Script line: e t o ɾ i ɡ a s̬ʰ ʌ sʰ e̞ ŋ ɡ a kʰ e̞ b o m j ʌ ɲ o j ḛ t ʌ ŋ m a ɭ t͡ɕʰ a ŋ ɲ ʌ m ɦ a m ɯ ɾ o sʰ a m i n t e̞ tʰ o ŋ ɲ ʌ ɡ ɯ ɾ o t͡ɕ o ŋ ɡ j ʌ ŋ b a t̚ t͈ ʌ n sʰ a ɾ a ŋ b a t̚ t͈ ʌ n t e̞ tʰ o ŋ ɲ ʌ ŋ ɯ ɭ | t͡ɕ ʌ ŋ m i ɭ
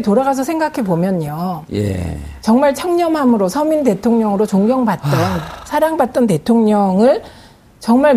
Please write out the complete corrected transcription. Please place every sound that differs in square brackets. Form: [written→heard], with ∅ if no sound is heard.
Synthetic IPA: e t o ɾ [i→a] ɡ a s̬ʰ ʌ sʰ e̞ ŋ ɡ a kʰ e̞ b o m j ʌ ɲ o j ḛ [t→t͡ɕ] ʌ ŋ m a ɭ t͡ɕʰ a ŋ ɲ ʌ m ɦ a m ɯ ɾ o sʰ [a→ʌ] m i n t e̞ tʰ o ŋ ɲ ʌ [ɡ→ŋ] ɯ ɾ o t͡ɕ o ŋ ɡ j ʌ ŋ b a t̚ t͈ ʌ n sʰ a ɾ a ŋ b a t̚ t͈ ʌ n t e̞ tʰ o ŋ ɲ ʌ ŋ ɯ ɭ | t͡ɕ ʌ ŋ m [i→a] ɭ